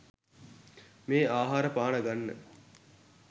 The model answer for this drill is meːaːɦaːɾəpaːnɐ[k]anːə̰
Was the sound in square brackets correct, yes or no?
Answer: no